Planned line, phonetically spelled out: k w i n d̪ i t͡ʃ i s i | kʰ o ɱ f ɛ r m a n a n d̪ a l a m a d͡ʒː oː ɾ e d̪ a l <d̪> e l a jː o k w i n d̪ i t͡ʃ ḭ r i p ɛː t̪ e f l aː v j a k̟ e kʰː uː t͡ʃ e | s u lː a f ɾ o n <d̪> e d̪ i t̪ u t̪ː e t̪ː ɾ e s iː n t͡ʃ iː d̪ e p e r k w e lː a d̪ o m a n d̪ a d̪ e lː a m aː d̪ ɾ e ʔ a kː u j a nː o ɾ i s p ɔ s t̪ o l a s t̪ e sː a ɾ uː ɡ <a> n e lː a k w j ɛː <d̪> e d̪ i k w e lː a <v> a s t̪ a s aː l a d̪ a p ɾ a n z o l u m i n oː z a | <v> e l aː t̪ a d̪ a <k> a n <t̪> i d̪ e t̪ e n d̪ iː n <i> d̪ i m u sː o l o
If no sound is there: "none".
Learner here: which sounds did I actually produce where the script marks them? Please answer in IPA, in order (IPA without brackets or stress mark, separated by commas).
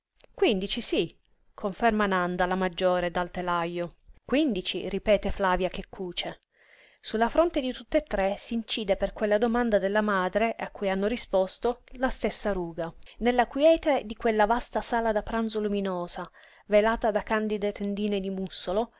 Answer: t̪, t̪, a, t̪, v, v, k, d̪, e